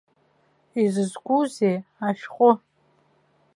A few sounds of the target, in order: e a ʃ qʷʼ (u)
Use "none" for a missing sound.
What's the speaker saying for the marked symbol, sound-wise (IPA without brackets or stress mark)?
ʊ